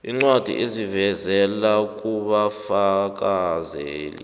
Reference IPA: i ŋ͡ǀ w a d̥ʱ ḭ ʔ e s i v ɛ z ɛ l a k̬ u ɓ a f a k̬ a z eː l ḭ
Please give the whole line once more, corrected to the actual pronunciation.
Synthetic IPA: i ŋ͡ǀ w a d̥ʱ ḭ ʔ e z i v ɛ z ɛ l a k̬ u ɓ a f a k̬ a z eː l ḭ